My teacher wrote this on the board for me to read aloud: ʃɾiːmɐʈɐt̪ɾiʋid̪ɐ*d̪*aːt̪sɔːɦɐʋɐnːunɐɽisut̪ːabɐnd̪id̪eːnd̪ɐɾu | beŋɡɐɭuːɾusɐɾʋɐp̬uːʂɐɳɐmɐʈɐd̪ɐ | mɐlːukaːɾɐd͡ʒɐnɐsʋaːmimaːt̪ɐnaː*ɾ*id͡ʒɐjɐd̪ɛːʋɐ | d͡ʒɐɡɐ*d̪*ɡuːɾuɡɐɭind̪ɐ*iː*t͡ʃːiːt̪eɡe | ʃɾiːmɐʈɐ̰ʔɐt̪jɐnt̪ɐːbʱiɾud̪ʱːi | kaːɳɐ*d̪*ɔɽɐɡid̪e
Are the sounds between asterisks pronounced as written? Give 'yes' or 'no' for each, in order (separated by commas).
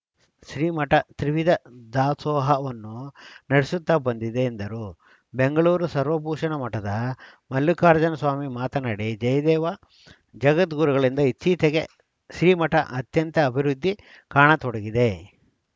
yes, no, no, no, no